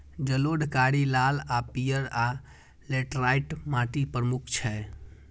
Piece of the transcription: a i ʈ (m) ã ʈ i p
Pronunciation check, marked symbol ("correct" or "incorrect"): correct